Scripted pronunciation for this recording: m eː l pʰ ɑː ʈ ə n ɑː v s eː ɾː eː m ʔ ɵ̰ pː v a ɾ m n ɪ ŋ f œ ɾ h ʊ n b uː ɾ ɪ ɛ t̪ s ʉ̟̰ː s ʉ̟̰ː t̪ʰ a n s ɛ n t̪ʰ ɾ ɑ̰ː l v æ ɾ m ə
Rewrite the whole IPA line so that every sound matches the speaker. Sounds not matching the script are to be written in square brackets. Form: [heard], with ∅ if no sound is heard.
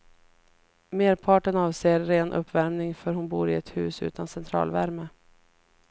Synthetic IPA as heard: m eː [ɾ] pʰ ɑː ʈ ə n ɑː v s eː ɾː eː [n] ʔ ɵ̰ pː v [æ] ɾ m n ɪ ŋ f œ ɾ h ʊ n b uː ɾ ɪ ɛ t̪ [h] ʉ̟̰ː s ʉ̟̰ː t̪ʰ a n s ɛ n t̪ʰ ɾ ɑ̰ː l v æ ɾ m ə